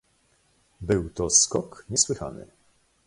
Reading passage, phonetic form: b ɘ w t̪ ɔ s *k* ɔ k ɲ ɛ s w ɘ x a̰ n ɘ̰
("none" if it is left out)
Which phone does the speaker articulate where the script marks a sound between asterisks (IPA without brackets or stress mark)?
k